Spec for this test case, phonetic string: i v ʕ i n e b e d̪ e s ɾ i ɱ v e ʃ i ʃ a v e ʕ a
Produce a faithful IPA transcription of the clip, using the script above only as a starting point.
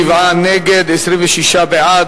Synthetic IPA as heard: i v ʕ a n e ɡ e d̪ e s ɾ i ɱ v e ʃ i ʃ a b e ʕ a